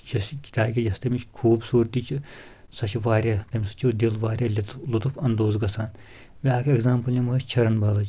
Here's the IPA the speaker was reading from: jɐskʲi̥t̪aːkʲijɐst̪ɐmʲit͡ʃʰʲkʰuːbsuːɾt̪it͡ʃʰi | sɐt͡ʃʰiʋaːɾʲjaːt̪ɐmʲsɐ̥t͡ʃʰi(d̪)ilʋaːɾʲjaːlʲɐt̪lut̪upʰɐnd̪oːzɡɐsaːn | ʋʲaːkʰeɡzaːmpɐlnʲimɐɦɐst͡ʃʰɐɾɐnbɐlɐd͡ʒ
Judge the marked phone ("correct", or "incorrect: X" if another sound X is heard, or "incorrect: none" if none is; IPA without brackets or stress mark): correct